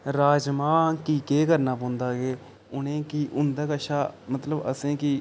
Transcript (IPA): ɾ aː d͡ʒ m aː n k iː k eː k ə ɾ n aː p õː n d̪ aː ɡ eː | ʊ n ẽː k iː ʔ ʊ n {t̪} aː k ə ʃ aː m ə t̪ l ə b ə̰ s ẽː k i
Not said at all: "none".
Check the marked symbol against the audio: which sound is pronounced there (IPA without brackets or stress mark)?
d̪